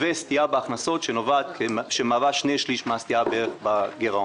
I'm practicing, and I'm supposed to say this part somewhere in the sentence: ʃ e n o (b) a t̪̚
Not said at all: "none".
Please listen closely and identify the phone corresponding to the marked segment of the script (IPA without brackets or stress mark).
v